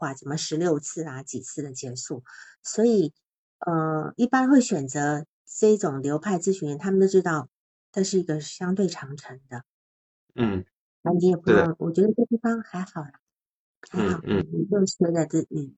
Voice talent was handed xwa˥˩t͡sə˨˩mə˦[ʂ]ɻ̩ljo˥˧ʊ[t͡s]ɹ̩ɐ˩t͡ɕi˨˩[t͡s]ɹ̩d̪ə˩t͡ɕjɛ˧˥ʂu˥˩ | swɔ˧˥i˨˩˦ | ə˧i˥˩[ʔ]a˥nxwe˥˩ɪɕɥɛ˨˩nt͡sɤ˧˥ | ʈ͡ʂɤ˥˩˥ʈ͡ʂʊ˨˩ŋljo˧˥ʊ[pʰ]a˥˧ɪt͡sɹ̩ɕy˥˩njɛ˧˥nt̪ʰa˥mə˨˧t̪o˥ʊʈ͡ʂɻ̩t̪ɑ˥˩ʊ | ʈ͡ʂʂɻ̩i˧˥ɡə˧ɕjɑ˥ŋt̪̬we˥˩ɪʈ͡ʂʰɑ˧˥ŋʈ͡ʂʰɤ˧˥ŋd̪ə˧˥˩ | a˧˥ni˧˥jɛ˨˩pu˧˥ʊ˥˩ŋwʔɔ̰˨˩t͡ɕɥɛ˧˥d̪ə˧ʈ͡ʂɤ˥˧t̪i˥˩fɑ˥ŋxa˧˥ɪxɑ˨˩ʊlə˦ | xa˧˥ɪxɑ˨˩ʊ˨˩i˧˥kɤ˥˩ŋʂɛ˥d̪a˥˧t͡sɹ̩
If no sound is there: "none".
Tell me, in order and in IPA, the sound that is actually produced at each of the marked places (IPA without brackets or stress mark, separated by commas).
ʂ, t͡sʰ, t͡sʰ, p, pʰ